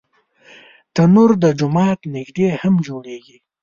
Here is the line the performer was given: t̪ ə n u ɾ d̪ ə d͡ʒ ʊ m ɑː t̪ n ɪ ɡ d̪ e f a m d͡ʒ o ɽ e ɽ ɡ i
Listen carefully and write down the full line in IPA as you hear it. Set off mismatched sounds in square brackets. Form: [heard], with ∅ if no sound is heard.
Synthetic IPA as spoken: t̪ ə n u ɾ d̪ ə d͡ʒ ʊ m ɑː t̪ n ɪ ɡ d̪ e [h] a m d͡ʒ o ɽ e [∅] ɡ i